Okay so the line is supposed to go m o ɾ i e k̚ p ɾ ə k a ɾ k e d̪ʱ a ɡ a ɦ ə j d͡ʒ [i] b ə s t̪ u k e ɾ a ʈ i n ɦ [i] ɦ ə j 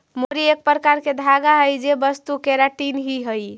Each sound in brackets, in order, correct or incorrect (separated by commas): incorrect, correct